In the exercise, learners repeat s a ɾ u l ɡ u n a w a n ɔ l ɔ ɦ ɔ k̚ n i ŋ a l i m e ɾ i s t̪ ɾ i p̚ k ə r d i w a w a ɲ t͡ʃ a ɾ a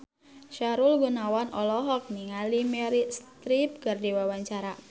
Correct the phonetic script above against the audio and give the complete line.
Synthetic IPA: ʃ a ɾ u l ɡ u n a w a n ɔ l ɔ ɦ ɔ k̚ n i ŋ a l i m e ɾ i s t̪ ɾ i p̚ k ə r d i w a w a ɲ t͡ʃ a ɾ a